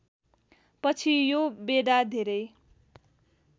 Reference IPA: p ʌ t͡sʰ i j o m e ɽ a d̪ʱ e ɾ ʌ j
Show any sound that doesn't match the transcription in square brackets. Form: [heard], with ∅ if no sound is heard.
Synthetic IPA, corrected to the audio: p ʌ t͡sʰ i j o [b] e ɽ a d̪ʱ e ɾ ʌ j